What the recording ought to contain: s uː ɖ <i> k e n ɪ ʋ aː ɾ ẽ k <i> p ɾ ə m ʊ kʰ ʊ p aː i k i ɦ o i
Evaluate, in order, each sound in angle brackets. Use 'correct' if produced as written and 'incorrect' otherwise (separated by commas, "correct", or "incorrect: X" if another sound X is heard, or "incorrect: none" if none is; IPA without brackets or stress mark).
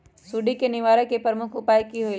correct, incorrect: e